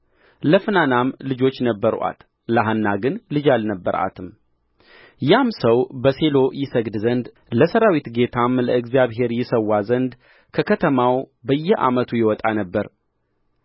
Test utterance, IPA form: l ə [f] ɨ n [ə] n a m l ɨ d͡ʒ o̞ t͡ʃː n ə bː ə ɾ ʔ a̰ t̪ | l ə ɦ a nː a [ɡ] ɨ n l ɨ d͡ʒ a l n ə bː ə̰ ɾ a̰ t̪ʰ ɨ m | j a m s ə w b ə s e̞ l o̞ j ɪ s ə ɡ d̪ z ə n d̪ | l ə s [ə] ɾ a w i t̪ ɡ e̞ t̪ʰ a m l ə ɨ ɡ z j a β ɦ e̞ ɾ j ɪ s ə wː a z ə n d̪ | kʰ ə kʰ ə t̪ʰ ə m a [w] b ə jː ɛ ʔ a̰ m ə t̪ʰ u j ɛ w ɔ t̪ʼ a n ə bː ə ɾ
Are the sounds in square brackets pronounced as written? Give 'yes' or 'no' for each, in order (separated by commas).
yes, no, yes, yes, yes